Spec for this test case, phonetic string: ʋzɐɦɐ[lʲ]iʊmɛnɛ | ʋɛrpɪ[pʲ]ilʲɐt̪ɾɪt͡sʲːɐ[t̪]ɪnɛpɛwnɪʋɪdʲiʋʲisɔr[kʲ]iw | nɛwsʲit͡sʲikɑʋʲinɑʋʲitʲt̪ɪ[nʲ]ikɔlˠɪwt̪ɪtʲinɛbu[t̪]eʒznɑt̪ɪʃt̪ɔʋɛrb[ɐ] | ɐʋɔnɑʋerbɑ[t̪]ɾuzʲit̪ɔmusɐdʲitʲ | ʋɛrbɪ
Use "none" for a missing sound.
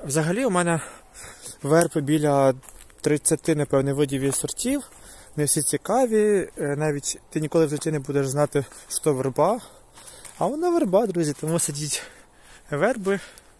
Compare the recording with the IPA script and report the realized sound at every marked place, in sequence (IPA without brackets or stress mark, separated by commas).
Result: lʲ, bʲ, t̪, tʲ, nʲ, d̪, ɑ, d̪